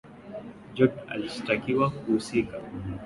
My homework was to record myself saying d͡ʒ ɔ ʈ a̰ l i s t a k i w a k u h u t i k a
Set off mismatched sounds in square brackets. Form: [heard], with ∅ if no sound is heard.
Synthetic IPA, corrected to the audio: d͡ʒ ɔ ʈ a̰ l i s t a k i w a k u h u [s] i k a